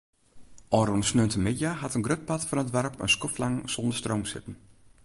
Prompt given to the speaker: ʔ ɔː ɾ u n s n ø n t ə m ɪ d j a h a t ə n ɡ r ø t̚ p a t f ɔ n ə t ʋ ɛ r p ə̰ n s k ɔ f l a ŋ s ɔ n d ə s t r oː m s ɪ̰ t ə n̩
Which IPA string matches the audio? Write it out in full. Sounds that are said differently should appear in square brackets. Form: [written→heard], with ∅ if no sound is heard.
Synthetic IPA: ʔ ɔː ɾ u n s n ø n t ə m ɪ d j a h a t ə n ɡ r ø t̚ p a t f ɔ n ə t ʋ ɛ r p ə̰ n s k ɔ f l a ŋ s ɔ n d ə s t r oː m s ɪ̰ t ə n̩

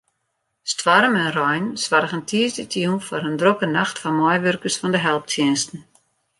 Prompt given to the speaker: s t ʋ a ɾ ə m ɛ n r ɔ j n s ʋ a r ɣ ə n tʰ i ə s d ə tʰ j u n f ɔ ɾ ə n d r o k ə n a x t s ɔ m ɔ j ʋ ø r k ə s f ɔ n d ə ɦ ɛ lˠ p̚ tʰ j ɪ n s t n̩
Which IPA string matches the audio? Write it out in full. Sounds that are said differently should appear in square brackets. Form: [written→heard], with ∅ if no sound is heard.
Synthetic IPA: s t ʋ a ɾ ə m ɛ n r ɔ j n s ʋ a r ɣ ə n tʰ i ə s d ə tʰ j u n f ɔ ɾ ə n d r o k ə n a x t [s→f] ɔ m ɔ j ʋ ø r k ə s f ɔ n d ə ɦ ɛ lˠ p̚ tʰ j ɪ n s t n̩

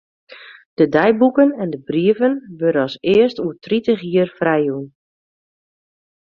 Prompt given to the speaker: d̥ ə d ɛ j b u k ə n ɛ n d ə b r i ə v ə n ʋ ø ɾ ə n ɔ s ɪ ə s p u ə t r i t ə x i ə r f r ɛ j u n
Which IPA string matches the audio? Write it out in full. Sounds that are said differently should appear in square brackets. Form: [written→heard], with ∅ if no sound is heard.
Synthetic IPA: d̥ ə d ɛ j b u k ə n ɛ n d ə b r i ə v ə n ʋ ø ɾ ə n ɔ s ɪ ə s [p→t] u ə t r i t ə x i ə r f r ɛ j u n

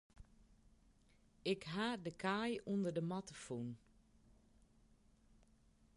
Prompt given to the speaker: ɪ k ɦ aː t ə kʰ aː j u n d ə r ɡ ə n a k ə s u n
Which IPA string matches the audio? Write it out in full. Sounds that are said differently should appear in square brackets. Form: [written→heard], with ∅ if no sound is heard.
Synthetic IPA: ɪ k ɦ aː [t→d] ə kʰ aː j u n d ə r [ɡ→d] ə [n→m] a [k→t] ə [s→f] u n

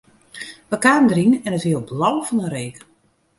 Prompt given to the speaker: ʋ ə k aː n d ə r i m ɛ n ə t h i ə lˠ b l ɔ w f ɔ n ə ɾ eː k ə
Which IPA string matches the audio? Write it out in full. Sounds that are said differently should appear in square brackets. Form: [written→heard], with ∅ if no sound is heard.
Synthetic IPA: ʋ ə k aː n d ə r i [m→n] ɛ n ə t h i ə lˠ b l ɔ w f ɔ n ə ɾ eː k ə

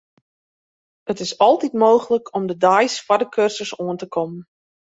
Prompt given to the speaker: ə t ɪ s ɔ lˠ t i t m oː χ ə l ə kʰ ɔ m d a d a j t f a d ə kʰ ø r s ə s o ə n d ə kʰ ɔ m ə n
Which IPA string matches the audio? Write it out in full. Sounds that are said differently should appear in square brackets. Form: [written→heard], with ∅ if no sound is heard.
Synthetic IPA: ə t ɪ s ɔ lˠ t i t m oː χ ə l ə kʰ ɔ m d [a→ə] d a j [t→s] f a d ə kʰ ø r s ə s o ə n [d→t] ə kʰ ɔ m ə n

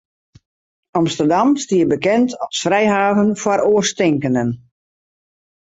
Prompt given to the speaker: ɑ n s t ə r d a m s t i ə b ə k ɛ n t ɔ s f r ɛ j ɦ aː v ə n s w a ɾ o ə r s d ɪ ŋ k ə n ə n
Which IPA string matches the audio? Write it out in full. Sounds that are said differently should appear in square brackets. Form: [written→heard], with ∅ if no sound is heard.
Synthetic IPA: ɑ [n→m] s t ə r d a m s t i ə b ə k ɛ n t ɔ s f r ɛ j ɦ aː v ə n [s→f] w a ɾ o ə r s [d→t] ɪ ŋ k ə n ə n

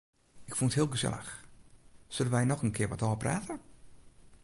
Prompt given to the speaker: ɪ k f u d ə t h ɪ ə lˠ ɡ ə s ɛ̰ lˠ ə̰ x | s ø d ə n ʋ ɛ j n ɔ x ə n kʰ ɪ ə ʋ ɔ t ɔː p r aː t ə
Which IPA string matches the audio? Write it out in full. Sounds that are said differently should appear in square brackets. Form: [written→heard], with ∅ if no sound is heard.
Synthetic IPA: ɪ k f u [d→n] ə t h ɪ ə lˠ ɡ ə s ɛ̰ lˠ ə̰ x | s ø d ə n ʋ ɛ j n ɔ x ə n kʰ ɪ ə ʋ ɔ t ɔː p r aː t ə

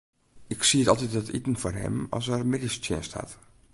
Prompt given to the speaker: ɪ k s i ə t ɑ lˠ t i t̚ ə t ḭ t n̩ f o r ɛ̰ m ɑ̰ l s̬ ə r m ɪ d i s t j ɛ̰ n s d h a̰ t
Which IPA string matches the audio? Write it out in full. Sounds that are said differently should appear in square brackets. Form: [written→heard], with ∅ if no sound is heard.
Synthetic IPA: ɪ k s i ə t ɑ lˠ t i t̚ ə t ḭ t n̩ f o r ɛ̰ m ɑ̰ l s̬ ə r m ɪ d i s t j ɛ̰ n s [d→t] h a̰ t

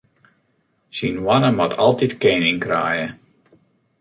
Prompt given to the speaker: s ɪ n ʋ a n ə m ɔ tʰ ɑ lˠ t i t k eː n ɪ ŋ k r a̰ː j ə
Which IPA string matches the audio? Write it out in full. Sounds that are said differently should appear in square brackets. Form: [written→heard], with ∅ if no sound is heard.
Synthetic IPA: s [ɪ→i] n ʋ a n ə m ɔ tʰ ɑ lˠ t i t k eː n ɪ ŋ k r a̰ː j ə

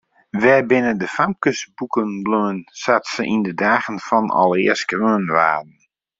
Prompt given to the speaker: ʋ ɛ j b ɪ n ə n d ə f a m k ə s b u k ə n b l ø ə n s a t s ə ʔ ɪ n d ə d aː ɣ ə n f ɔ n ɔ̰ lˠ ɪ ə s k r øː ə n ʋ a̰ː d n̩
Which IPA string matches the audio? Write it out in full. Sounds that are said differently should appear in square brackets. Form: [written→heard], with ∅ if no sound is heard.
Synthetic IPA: ʋ ɛ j b ɪ n ə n d ə f a m k ə s b u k ə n b l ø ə n s a t s ə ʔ [ɪ→i] n d ə d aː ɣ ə n f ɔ n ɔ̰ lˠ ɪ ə s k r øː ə n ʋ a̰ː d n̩

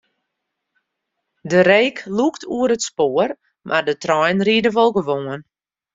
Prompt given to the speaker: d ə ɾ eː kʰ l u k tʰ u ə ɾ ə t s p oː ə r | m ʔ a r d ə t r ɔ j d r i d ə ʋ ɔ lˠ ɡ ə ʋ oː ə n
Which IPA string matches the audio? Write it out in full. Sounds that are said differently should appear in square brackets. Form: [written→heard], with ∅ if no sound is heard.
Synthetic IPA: d ə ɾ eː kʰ l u k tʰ u ə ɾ ə t s p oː ə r | m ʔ a r d ə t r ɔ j [d→n] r i d ə ʋ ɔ lˠ ɡ ə ʋ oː ə n

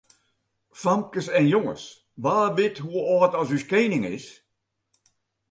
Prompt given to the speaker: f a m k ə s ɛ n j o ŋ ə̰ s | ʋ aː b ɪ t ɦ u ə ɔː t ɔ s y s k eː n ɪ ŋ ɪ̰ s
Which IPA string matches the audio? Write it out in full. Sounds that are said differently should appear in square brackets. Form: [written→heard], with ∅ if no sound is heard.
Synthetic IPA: f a m k ə s ɛ n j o ŋ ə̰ s | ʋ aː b ɪ t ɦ u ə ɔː t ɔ s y s k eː n ɪ ŋ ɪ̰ s

